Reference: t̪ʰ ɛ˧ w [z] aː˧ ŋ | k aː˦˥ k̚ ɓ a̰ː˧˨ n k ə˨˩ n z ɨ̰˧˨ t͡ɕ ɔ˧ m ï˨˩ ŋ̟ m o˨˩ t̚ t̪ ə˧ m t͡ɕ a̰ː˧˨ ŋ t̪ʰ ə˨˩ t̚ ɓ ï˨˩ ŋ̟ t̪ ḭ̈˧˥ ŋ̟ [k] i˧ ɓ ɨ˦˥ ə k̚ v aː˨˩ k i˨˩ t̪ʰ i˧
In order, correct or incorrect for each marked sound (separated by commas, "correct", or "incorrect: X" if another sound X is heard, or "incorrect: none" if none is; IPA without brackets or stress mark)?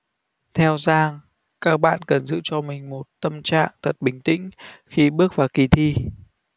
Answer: correct, incorrect: x